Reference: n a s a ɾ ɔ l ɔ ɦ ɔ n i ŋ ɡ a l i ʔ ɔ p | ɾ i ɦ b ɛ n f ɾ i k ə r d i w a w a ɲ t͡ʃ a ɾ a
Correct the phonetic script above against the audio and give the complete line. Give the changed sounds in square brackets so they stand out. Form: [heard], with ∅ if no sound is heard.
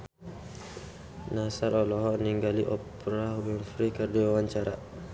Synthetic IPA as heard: n a s a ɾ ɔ l ɔ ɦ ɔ n i ŋ ɡ a l i ʔ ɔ p | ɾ [a] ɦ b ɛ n f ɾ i k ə r d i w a w a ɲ t͡ʃ a ɾ a